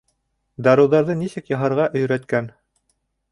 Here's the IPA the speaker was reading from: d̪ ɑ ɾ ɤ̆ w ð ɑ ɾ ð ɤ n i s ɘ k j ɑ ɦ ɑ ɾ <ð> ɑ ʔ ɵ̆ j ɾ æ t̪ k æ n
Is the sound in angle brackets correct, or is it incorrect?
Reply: incorrect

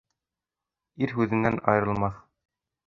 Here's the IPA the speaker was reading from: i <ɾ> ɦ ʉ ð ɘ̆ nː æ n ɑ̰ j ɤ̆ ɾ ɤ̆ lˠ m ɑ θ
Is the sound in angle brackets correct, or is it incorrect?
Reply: correct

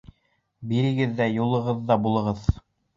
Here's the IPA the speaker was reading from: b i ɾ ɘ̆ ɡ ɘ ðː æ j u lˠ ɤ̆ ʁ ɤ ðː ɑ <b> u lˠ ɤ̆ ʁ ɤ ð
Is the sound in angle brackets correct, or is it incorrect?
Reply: correct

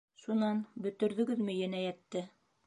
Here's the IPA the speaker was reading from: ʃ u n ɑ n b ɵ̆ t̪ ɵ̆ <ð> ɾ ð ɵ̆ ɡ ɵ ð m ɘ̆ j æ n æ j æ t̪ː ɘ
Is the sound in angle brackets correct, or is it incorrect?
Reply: incorrect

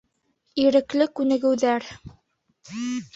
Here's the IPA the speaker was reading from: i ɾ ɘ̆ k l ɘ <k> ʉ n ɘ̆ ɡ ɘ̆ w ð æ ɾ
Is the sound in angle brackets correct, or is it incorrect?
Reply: correct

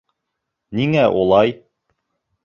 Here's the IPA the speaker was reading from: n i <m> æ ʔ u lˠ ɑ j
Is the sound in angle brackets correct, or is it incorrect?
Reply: incorrect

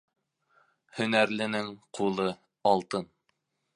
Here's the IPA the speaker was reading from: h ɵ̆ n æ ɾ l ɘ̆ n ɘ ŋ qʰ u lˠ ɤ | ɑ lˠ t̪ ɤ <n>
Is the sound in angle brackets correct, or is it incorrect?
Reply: correct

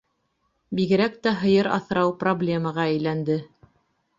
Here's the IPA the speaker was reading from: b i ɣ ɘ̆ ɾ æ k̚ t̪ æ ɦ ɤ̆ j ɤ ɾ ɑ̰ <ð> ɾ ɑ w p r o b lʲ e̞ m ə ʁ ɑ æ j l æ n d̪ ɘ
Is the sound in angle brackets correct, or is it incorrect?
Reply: incorrect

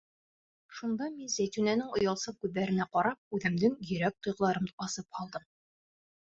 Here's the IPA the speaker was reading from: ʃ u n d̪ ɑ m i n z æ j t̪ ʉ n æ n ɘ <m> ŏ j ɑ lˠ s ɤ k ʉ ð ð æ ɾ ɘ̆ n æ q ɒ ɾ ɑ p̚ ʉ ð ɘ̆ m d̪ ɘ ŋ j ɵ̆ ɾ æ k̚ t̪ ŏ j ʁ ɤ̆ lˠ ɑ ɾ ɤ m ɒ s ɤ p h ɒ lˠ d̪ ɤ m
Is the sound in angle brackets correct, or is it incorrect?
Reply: incorrect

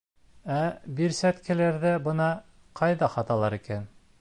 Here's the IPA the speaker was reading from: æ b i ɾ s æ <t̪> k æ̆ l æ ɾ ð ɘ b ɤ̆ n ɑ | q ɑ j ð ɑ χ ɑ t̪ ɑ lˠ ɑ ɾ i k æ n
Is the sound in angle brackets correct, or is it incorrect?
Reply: correct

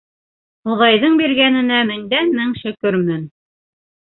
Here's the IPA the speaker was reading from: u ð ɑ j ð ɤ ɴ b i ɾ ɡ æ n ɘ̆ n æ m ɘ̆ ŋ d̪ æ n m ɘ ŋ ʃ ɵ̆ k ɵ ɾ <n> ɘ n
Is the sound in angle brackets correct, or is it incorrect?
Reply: incorrect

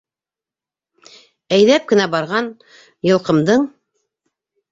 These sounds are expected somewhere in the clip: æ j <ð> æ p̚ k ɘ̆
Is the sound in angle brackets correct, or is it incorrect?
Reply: correct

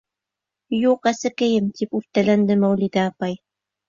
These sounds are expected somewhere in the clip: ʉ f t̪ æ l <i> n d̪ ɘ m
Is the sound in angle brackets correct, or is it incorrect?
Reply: incorrect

